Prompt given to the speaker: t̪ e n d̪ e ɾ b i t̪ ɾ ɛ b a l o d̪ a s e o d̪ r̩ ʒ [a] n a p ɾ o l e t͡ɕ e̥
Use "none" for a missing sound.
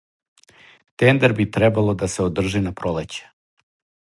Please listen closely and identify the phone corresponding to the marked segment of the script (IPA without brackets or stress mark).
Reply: i